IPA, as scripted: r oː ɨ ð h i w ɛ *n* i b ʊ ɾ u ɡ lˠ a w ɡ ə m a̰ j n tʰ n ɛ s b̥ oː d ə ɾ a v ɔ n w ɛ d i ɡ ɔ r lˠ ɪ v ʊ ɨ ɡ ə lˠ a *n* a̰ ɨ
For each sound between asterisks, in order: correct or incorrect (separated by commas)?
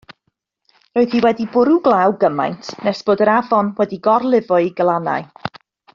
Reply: incorrect, correct